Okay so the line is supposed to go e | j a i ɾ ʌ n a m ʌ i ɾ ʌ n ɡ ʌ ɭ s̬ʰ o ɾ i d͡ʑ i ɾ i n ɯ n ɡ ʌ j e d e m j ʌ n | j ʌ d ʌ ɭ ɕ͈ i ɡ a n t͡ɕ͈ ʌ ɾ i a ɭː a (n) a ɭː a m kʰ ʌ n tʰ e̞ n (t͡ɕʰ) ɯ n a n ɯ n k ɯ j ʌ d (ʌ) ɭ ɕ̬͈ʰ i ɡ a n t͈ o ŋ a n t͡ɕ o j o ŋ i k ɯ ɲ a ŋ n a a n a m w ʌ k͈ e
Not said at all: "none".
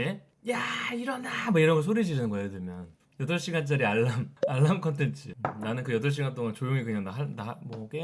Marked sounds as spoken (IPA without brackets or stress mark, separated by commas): m, t͡ɕʰ, ʌ